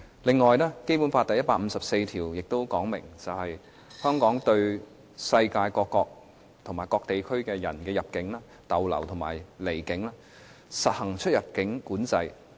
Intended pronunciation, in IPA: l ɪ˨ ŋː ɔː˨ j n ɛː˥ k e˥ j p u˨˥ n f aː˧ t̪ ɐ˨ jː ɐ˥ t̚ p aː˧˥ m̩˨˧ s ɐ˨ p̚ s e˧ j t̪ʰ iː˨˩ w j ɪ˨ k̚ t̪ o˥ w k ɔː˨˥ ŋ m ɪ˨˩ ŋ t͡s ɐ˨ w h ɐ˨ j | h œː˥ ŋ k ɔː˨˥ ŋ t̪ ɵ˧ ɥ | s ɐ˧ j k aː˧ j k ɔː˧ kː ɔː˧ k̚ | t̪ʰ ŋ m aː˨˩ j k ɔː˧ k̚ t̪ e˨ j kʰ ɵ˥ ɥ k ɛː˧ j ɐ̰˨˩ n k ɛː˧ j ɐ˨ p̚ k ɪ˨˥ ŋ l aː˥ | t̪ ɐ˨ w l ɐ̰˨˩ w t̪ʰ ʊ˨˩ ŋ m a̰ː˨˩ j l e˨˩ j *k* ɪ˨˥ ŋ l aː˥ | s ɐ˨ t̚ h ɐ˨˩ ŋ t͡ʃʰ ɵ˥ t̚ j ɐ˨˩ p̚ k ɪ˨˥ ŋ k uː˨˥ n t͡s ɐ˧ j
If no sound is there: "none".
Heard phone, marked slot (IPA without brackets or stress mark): k